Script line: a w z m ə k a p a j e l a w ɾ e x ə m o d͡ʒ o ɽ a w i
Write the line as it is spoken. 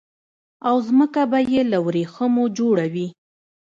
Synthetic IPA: a w z m ə k a b a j e l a w ɾ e x ə m o d͡ʒ o ɽ a w i